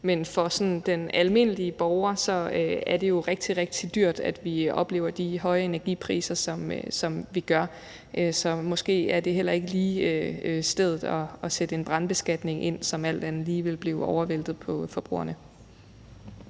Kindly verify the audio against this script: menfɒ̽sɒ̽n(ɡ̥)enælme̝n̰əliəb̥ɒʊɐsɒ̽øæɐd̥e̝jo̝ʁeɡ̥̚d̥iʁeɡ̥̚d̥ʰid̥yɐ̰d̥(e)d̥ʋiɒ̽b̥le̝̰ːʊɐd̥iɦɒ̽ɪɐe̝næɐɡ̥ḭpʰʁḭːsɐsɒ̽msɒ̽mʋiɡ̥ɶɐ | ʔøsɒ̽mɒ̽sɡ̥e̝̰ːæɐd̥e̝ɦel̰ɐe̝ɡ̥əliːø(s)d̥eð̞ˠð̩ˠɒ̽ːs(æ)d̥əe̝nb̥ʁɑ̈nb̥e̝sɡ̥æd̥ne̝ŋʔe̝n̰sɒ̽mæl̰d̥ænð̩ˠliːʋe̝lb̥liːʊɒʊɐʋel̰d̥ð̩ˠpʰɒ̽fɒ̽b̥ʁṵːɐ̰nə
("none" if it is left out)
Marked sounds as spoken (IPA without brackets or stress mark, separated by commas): d̥, æ, s, e